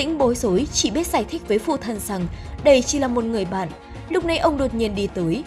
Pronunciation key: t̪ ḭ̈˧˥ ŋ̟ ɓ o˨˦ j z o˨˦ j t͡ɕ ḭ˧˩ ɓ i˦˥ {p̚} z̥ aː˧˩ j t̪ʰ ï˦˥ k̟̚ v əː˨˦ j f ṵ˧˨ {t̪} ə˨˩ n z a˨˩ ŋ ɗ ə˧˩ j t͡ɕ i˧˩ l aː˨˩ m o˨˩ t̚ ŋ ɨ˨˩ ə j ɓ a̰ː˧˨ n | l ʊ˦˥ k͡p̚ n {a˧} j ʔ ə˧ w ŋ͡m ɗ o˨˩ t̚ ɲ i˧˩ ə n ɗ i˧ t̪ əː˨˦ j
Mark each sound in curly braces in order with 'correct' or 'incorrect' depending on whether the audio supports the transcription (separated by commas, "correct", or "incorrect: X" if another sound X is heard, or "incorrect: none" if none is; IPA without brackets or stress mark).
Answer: incorrect: t̚, incorrect: t̪ʰ, correct